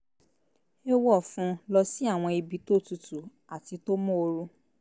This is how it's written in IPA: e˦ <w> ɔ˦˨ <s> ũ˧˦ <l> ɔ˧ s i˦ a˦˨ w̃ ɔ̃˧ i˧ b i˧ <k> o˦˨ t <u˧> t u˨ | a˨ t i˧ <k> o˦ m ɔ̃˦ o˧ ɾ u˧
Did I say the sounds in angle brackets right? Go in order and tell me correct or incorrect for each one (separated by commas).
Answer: correct, incorrect, correct, incorrect, correct, incorrect